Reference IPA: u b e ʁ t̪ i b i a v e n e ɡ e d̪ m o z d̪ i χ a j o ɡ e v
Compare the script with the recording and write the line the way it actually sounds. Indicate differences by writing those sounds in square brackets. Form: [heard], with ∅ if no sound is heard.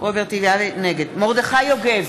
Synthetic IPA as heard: [o] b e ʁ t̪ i [v] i a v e n e ɡ e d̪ m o [ʁ] d̪ [e] χ a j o ɡ e v